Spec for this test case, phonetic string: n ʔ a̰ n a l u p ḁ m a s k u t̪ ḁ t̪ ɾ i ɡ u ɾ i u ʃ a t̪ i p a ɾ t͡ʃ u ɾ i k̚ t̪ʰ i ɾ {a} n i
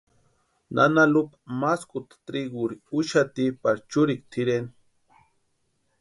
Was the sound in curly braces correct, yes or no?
no